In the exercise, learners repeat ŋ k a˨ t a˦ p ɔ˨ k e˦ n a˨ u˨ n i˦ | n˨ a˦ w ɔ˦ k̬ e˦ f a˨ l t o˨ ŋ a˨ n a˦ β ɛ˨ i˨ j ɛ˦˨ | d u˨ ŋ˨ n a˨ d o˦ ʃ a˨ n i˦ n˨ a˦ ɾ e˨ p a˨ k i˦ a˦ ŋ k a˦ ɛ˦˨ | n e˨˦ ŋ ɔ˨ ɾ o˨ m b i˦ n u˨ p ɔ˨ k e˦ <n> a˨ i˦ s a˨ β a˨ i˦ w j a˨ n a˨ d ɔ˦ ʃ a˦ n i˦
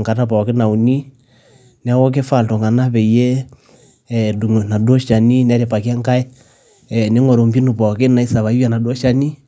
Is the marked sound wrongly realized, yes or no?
no